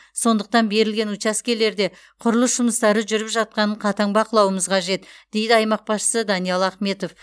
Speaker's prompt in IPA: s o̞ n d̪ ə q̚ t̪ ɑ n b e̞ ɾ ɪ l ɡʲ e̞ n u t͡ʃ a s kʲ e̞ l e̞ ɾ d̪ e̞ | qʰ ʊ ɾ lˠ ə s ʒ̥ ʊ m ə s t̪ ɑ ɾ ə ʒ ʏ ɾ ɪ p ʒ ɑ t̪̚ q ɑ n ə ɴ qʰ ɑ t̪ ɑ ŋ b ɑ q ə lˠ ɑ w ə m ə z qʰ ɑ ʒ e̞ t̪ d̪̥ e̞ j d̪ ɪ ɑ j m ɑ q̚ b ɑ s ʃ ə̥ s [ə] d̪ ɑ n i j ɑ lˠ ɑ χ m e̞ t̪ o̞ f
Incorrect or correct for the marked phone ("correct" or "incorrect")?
correct